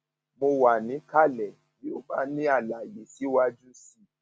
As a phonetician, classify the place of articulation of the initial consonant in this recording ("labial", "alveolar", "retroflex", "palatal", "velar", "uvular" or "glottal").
labial